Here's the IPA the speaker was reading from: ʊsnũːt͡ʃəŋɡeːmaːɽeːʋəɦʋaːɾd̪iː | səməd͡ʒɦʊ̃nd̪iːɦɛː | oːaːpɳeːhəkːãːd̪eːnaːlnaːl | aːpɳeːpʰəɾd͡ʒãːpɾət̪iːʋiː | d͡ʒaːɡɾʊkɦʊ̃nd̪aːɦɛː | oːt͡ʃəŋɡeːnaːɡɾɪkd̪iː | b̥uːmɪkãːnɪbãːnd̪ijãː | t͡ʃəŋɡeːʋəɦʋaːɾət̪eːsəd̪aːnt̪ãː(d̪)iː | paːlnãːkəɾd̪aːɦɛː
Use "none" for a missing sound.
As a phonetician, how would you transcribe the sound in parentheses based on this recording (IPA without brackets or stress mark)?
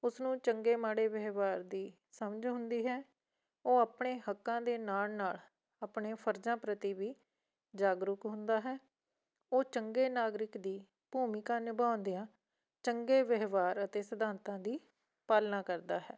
d̪